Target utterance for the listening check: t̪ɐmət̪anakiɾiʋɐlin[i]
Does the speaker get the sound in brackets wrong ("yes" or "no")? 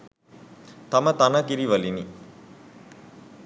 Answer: no